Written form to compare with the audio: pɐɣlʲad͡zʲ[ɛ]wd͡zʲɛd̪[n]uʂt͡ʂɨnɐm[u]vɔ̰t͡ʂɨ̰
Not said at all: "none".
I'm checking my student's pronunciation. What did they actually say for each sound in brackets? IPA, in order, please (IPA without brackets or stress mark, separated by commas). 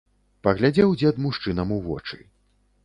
ɛ, m, u